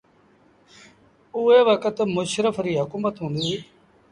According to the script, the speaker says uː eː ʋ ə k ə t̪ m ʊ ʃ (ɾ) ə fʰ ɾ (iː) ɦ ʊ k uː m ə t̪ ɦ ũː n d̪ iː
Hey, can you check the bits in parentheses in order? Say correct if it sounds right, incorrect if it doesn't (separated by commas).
correct, correct